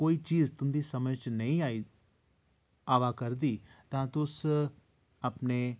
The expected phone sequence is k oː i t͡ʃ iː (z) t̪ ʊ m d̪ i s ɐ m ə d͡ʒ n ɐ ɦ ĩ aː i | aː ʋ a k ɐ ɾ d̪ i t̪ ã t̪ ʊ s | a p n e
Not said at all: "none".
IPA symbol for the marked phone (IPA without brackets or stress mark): z